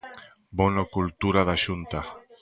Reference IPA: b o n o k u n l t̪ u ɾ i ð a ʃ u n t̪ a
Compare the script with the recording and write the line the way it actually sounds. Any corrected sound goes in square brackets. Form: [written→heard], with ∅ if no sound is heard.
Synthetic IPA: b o n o k u [n→∅] l t̪ u ɾ [i→a] ð a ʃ u n t̪ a

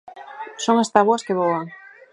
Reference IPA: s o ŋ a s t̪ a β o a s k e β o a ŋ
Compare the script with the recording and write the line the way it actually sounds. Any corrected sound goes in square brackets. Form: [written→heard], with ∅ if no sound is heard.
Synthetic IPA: s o ŋ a s t̪ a β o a s k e β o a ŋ

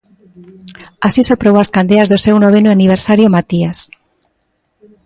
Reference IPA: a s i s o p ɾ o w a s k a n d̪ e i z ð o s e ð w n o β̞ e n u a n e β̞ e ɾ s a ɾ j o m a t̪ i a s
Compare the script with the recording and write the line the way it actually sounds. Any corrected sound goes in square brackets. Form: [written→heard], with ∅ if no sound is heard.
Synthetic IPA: a s i s o p ɾ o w a s k a n d̪ e [i→a] z ð o s e [ð→∅] w n o β̞ e n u a n [e→i] β̞ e ɾ s a ɾ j o m a t̪ i a s

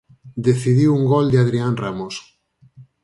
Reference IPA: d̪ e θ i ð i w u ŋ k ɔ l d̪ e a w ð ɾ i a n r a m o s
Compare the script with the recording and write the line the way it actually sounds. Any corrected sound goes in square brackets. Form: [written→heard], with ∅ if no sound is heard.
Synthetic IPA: d̪ e θ i ð i w u ŋ [k→ɡ] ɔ l d̪ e a [w→∅] ð ɾ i a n r a m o s

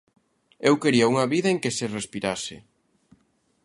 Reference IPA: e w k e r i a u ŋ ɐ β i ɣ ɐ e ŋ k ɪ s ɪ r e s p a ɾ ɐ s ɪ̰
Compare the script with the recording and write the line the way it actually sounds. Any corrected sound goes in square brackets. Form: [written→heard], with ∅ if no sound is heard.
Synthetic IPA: e w k e [r→ɾ] i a u ŋ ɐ β i [ɣ→ð] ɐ e ŋ k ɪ s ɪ r e s p [a→i] ɾ [ɐ→a] s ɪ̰

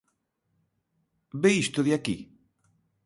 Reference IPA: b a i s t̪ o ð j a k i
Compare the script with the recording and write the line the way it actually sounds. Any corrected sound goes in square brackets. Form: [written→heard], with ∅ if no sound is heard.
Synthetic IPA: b [a→e] i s t̪ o ð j a k i

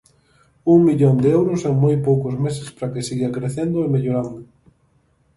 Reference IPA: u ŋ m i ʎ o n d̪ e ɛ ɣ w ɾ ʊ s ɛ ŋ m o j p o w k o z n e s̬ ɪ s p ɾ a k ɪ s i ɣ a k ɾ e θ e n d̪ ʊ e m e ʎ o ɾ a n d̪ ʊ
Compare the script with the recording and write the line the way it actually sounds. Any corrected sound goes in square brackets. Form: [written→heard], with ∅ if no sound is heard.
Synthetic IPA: u ŋ m i ʎ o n d̪ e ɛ [ɣ→∅] w ɾ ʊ s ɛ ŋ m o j p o w k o z [n→m] e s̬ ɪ s p ɾ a k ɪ s i ɣ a k ɾ e θ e n d̪ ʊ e m e ʎ o ɾ a n d̪ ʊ

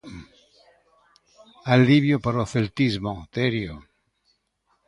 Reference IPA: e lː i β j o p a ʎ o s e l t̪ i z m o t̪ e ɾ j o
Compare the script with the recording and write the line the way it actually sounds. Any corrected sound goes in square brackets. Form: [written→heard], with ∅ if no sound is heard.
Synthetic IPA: [e→a] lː i β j o p a [ʎ→ɾ] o [s→θ] e l t̪ i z m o t̪ e ɾ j o

